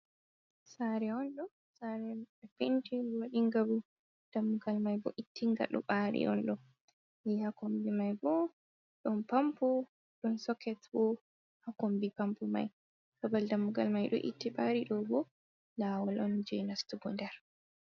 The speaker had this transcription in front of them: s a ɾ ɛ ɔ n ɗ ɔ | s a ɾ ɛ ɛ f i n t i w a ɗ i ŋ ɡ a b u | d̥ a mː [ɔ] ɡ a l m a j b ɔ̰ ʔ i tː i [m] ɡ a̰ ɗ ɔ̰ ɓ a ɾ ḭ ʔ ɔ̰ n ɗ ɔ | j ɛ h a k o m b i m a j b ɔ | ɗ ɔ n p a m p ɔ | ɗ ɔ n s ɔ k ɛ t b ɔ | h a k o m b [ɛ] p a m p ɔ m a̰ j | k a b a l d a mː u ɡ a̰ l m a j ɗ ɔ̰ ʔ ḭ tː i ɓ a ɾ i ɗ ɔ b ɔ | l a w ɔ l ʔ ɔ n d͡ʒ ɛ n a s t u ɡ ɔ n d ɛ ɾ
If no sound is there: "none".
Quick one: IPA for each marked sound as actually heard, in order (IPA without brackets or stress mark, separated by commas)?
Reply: u, ŋ, i